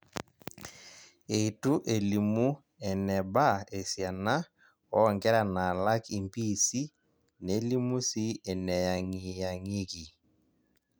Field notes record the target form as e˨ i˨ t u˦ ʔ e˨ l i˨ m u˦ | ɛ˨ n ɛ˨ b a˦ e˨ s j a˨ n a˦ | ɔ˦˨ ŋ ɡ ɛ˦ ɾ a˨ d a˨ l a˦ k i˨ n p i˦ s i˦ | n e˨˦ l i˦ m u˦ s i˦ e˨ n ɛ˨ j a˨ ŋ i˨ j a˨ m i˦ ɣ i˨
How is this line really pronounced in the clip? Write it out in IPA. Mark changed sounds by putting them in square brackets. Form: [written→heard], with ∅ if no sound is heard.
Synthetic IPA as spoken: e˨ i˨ t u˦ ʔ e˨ l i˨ m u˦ | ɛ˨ n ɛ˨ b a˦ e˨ s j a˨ n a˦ | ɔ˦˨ ŋ ɡ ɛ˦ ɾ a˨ [d→n] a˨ l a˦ k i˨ [n→m] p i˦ s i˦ | n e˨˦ l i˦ m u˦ s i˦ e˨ n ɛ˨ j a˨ ŋ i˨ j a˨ [m→ŋ] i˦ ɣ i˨